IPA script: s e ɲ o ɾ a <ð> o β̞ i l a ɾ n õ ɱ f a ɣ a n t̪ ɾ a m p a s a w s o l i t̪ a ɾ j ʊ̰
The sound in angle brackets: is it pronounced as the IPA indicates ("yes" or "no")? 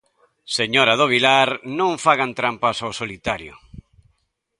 yes